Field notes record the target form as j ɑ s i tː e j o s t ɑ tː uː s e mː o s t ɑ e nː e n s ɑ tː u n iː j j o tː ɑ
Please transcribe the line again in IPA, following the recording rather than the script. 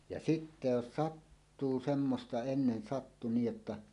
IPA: j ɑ s i tː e j o s s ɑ tː uː s e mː o s t ɑ e nː e n s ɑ tː u n iː j j o tː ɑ